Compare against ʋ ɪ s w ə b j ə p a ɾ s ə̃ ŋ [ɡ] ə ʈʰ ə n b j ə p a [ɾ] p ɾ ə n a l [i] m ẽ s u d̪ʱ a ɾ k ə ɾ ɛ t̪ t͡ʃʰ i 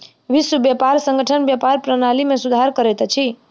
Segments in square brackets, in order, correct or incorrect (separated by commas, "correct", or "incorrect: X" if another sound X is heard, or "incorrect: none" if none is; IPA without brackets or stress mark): correct, correct, correct